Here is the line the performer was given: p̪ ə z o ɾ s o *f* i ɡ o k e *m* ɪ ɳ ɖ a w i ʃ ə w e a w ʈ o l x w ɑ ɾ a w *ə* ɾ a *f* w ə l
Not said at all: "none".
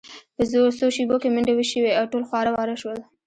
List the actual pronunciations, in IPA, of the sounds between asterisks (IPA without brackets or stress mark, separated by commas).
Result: ʃ, m, ɑ, ʃ